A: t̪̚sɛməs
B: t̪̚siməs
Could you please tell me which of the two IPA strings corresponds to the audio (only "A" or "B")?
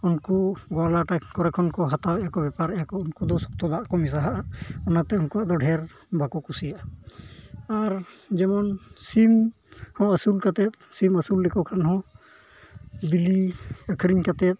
B